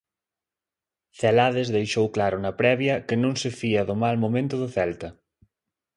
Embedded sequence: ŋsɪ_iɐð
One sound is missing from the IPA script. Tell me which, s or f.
f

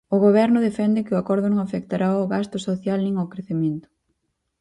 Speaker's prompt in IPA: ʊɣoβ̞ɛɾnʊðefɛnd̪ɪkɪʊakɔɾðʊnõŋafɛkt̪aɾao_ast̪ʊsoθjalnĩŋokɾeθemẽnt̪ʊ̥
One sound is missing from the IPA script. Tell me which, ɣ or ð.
ɣ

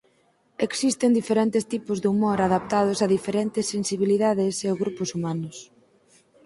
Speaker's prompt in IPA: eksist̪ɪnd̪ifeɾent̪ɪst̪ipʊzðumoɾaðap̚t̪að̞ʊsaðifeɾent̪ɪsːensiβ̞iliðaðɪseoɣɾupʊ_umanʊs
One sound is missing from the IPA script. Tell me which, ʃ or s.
s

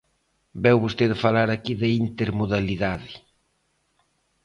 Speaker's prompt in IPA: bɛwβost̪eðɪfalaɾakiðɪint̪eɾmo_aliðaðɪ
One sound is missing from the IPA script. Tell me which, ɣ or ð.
ð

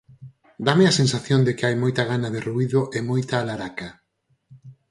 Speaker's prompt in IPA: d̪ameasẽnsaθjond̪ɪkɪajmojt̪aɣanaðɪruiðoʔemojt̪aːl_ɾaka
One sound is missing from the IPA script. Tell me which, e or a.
a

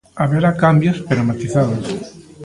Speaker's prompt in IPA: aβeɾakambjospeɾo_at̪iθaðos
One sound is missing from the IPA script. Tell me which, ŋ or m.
m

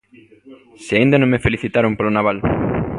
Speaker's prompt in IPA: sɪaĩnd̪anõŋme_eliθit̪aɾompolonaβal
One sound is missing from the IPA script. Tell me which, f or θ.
f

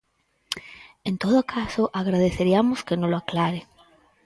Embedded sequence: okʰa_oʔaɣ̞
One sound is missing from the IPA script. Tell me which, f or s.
s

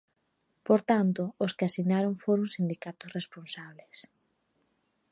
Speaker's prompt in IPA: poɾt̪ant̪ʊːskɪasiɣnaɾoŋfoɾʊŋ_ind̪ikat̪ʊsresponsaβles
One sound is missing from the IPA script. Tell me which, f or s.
s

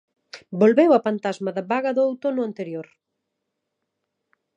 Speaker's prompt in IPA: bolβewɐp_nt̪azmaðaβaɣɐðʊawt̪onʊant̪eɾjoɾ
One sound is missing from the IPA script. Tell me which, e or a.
a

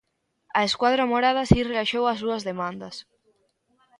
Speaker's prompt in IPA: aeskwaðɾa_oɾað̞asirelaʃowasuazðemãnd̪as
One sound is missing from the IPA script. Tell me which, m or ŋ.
m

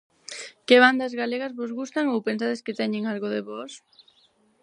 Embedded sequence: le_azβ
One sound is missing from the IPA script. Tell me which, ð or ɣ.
ɣ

